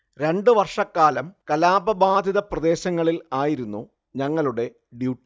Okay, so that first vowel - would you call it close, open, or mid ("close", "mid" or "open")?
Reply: mid